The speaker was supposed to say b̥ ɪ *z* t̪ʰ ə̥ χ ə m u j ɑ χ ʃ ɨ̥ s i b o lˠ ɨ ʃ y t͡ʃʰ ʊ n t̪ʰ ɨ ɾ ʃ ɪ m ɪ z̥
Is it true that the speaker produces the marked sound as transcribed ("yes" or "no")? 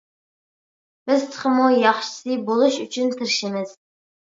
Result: yes